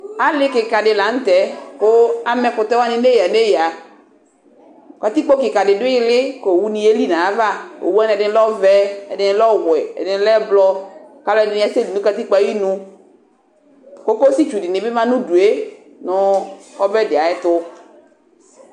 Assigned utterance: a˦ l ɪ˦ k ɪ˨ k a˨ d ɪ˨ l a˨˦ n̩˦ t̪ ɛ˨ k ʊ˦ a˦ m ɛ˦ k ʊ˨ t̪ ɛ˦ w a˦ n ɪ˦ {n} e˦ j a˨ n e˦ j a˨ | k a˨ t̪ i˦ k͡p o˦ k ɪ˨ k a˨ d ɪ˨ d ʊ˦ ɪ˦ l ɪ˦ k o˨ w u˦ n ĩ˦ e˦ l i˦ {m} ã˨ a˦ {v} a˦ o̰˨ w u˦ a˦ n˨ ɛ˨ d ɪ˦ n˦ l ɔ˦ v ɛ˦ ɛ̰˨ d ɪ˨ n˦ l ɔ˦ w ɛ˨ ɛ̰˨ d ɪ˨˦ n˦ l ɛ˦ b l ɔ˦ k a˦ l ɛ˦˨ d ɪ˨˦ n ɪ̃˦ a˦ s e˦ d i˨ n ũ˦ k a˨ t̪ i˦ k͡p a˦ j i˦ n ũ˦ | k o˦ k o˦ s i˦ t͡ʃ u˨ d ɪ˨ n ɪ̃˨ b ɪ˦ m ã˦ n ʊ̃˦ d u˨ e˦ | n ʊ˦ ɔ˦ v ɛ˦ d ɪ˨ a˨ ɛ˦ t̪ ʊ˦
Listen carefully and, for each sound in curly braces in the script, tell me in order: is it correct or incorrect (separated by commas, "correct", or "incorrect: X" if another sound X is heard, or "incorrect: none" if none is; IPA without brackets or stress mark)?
correct, incorrect: n, correct